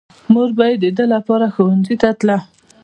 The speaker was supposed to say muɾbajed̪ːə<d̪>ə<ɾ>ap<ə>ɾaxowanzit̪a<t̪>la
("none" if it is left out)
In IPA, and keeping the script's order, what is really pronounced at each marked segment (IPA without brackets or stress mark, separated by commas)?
d̪, l, ɑ, t̪